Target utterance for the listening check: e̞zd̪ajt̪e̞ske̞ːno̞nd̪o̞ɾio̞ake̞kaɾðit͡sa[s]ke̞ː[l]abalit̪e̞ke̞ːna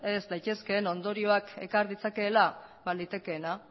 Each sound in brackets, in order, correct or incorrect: incorrect, correct

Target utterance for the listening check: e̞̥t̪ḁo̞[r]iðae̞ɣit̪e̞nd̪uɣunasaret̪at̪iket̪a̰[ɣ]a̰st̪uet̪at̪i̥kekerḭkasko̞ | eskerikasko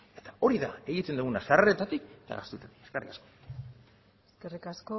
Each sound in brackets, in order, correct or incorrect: incorrect, correct

